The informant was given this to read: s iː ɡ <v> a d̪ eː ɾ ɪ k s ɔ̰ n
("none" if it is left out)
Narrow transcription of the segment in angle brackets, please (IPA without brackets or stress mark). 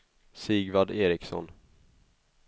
v